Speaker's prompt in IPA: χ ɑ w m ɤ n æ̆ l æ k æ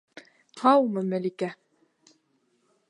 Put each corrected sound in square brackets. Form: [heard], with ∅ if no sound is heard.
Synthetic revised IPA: [h] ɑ w m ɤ [m] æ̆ l [i] k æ